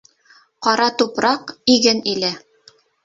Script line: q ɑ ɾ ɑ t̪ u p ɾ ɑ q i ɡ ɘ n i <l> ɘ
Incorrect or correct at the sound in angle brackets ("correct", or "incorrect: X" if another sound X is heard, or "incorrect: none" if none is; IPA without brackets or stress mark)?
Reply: correct